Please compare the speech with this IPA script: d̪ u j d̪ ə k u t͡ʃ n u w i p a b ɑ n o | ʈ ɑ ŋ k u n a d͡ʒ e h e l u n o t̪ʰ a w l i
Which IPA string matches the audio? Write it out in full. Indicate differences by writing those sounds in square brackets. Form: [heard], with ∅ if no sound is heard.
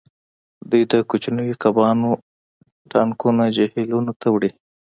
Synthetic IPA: d̪ u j d̪ ə k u t͡ʃ n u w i [k] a b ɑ n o | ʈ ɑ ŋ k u n a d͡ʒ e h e l u n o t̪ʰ a w [ɽ] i